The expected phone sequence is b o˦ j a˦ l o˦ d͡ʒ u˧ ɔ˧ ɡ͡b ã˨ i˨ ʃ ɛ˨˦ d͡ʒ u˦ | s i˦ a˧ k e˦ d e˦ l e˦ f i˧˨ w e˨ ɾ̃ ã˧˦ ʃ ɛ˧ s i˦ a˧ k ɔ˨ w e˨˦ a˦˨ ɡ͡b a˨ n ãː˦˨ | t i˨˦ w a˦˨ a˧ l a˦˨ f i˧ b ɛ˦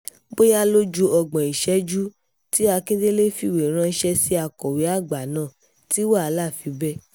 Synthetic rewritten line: b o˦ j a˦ l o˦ d͡ʒ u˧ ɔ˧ ɡ͡b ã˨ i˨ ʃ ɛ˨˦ d͡ʒ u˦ | t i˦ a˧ k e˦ d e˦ l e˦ f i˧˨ w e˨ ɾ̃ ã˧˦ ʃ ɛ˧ s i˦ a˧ k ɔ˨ w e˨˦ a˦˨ ɡ͡b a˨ n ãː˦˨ | t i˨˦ w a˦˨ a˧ l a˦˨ f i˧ b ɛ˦